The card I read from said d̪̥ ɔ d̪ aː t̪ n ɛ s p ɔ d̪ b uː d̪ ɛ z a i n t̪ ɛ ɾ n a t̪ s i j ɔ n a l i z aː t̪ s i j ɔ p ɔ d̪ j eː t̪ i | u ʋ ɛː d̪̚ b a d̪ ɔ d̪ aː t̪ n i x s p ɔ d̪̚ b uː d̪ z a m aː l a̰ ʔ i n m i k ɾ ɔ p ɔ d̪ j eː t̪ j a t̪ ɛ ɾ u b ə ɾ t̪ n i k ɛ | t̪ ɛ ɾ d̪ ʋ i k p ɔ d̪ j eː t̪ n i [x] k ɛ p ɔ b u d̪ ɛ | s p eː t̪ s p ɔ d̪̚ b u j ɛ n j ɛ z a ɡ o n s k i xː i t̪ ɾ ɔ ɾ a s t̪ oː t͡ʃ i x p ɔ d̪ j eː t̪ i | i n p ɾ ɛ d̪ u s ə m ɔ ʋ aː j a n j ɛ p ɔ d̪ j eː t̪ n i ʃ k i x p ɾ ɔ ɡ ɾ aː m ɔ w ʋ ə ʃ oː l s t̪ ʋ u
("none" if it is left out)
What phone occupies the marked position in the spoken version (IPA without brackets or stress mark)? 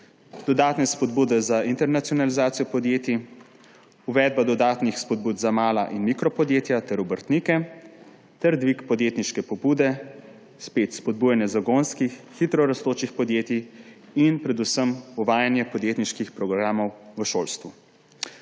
ʃ